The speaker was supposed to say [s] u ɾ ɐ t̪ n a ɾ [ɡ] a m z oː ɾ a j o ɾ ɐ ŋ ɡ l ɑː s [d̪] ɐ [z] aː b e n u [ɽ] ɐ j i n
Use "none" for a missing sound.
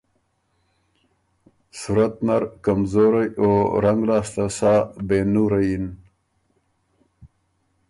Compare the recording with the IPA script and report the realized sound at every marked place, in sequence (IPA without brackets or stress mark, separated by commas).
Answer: s, k, t̪, s, ɾ